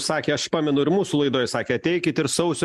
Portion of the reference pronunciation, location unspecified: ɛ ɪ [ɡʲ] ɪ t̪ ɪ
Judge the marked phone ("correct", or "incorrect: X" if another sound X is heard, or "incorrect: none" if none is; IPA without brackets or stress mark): incorrect: kʲ